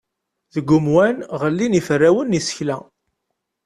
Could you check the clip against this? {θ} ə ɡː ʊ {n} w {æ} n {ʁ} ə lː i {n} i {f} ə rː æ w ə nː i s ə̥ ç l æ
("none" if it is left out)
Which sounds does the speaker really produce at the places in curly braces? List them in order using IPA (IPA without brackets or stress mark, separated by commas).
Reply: ð, m, æ, ʁ, n, f